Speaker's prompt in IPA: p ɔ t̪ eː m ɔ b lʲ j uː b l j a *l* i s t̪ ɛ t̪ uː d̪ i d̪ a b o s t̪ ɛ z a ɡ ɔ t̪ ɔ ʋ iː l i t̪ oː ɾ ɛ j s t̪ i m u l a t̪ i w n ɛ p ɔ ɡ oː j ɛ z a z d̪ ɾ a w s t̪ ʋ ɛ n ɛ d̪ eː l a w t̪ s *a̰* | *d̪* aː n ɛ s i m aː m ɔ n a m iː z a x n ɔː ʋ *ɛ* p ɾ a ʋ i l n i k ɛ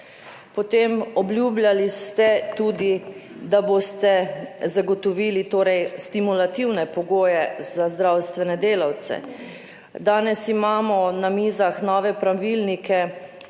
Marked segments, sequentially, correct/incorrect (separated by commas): correct, incorrect, correct, correct